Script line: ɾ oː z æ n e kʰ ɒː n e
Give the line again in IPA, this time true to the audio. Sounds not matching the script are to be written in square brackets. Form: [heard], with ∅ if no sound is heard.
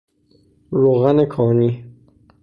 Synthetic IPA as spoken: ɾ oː [ɣ] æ n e kʰ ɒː n [i]